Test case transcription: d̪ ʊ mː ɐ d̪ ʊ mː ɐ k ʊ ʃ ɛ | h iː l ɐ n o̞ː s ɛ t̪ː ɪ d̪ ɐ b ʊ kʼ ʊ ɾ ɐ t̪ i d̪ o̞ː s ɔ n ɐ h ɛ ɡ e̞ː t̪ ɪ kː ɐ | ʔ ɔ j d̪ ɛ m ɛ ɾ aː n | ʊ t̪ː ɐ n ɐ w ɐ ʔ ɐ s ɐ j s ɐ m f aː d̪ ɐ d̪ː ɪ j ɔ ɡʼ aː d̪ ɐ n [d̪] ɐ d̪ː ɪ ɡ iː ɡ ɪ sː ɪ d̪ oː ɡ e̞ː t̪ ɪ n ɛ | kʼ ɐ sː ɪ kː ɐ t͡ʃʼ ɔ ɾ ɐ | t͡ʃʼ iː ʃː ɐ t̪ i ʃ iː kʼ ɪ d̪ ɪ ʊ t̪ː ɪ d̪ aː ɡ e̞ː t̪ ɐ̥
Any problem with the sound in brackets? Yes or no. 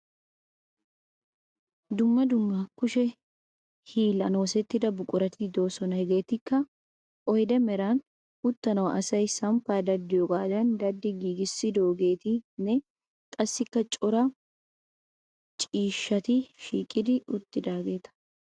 no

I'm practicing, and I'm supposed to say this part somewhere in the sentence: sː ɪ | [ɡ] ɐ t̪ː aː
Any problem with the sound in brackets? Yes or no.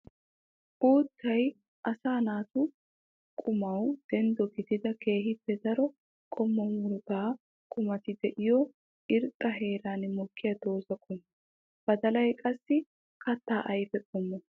yes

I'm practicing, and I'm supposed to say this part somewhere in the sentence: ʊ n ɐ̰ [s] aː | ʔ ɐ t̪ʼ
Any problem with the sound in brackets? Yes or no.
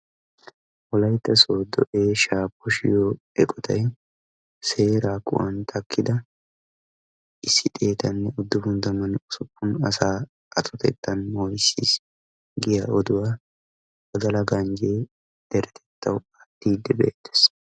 no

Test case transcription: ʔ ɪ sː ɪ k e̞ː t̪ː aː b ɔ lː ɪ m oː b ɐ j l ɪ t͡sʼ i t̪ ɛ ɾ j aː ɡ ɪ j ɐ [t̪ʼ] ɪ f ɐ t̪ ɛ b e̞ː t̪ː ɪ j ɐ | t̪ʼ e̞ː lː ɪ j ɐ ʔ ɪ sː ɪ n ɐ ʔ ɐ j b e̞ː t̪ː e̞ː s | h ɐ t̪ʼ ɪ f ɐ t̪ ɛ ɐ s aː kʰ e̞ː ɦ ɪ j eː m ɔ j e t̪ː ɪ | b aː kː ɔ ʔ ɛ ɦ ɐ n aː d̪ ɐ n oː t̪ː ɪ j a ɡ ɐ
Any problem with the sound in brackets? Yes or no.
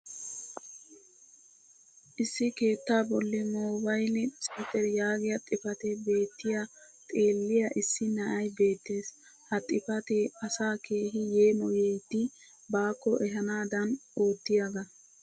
no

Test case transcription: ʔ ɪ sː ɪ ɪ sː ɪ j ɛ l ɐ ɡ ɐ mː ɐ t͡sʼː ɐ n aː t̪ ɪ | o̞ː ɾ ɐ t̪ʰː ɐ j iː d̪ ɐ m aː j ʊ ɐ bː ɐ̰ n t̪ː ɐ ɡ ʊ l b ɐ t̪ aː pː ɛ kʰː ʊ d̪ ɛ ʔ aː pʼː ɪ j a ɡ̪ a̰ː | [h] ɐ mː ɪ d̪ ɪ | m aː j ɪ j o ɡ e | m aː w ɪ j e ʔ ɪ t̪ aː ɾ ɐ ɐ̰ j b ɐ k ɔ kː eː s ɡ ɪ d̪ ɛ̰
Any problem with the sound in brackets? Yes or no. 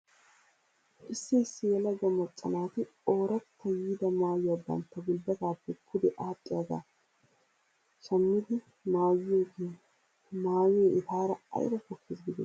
yes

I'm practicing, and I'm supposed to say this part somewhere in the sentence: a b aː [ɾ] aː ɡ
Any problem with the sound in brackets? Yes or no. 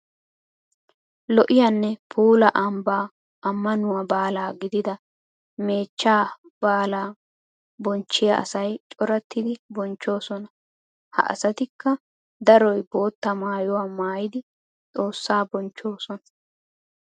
yes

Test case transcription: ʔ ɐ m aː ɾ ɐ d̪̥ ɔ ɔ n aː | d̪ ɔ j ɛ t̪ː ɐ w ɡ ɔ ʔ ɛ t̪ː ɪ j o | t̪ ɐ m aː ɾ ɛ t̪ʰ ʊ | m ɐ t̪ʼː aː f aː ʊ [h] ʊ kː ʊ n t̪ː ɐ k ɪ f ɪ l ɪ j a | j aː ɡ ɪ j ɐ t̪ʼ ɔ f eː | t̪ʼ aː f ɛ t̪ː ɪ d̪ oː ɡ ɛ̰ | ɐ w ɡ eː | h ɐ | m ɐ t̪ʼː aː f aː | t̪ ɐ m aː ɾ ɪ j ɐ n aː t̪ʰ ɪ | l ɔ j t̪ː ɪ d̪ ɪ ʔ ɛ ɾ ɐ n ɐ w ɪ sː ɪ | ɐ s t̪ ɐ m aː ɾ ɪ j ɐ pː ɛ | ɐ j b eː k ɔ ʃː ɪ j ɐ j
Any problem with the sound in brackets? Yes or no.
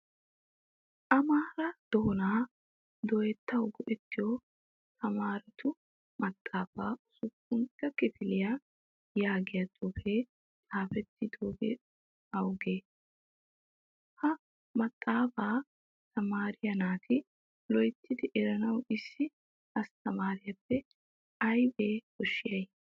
yes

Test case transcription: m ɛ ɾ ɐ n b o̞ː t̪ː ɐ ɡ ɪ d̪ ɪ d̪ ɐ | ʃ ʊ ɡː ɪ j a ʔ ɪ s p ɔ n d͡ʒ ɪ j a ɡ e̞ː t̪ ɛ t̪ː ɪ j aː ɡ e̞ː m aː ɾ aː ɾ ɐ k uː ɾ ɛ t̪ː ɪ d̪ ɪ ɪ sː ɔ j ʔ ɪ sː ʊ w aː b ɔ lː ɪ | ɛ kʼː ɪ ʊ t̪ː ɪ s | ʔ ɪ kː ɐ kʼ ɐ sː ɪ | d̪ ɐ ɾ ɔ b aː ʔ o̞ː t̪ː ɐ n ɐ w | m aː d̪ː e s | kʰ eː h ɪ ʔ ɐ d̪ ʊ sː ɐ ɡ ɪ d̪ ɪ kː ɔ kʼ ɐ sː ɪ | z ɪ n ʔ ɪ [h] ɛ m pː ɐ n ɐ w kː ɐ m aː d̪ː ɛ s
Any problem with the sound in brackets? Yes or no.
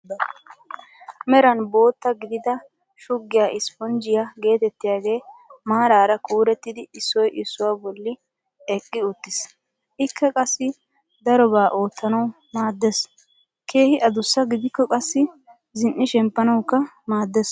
yes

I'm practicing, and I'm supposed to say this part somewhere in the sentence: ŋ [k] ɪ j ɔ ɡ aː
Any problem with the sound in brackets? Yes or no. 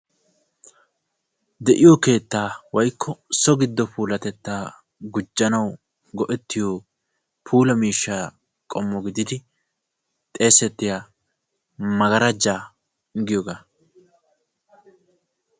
yes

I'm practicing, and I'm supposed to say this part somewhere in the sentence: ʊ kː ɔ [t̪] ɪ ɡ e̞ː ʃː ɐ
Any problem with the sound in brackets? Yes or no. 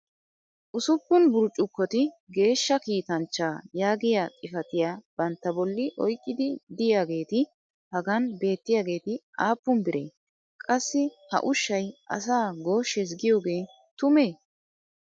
no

